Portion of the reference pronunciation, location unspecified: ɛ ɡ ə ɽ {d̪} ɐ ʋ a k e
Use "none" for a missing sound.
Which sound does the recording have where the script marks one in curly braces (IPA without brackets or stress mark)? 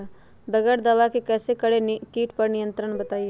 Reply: d̪